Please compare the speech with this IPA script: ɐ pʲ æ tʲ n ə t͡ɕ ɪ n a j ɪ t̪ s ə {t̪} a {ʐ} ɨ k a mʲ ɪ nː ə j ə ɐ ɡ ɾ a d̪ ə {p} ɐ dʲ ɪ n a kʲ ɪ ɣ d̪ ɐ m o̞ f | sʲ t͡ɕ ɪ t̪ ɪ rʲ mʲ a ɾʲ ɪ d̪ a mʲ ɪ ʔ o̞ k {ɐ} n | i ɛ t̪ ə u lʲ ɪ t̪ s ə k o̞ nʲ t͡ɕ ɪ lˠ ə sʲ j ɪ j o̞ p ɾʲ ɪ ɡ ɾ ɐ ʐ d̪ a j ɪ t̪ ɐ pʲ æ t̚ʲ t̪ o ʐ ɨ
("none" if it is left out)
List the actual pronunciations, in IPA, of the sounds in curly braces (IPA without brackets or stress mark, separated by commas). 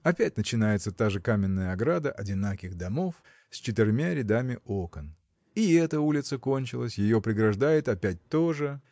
t̪, ʐ, ʔ, ə